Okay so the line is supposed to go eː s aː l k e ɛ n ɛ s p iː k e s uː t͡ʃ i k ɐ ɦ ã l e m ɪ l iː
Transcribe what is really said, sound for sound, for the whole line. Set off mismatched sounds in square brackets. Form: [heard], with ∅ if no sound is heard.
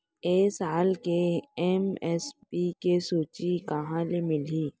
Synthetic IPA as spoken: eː s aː l k e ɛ [m] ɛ s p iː k e s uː t͡ʃ i k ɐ ɦ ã l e m ɪ l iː

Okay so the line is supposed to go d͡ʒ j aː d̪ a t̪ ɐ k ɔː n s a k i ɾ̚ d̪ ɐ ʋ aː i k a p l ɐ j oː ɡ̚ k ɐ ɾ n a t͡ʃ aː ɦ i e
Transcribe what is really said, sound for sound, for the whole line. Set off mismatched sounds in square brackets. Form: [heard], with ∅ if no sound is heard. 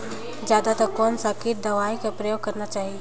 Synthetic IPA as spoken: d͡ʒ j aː d̪ a t̪ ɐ k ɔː n s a k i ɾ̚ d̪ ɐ ʋ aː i k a p [ɾ] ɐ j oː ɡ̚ k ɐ ɾ n a t͡ʃ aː ɦ i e

